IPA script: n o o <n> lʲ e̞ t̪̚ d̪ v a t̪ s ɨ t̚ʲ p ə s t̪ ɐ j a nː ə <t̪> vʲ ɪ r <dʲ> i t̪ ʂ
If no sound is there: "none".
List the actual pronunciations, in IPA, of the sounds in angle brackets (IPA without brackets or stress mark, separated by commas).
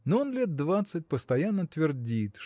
n, t̪, dʲ